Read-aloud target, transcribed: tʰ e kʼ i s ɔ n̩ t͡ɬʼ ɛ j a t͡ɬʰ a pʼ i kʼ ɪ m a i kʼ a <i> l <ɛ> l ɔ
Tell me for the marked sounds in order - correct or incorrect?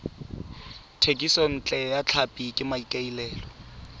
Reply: correct, incorrect: ɛː

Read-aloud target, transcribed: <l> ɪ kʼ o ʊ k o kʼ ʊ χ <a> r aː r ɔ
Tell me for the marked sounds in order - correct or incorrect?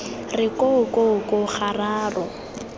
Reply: incorrect: r, correct

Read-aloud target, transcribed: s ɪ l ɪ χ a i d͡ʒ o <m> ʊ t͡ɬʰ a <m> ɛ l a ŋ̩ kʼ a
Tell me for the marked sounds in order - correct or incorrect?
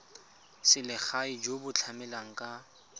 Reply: incorrect: b, correct

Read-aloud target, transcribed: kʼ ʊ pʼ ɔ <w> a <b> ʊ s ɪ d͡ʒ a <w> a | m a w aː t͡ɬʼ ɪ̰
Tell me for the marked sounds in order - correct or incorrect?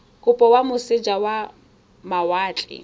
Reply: correct, incorrect: m, correct

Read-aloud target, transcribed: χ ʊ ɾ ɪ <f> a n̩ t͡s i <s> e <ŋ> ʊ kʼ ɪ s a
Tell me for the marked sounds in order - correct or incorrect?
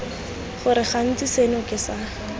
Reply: incorrect: χ, correct, incorrect: n

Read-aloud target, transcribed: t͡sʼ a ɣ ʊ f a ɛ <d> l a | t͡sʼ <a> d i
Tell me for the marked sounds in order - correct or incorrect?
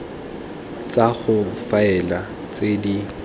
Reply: incorrect: none, incorrect: e

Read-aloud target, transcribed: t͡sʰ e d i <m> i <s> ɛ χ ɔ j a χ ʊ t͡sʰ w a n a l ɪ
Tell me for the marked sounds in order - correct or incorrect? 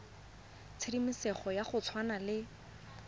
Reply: correct, correct

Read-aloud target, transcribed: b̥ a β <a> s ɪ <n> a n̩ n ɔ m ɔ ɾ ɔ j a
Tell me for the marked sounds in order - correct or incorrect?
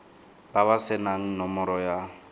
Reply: correct, correct

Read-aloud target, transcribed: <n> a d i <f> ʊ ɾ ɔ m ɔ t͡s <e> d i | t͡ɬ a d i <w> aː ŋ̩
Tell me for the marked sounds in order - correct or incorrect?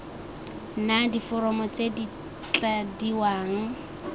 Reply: correct, correct, correct, correct

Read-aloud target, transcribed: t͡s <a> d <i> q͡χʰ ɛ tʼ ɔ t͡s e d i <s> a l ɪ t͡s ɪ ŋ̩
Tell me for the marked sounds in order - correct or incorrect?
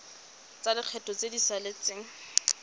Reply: correct, incorrect: ɪ, correct

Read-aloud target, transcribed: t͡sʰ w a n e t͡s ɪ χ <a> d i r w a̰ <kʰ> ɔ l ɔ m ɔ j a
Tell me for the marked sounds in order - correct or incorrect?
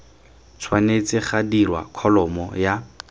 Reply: correct, correct

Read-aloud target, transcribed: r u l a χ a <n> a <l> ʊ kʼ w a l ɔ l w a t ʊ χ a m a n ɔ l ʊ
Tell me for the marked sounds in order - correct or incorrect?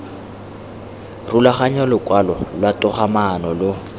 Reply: incorrect: ɲ, correct

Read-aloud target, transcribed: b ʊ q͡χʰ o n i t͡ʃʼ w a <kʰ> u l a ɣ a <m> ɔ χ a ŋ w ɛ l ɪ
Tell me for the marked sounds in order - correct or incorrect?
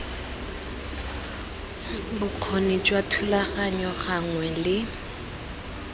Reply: incorrect: tʰ, incorrect: ɲ

